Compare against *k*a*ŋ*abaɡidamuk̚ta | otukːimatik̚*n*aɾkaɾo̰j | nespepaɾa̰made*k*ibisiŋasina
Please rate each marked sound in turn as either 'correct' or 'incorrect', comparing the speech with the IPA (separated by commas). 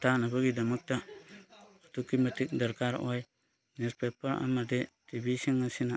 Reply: incorrect, incorrect, incorrect, incorrect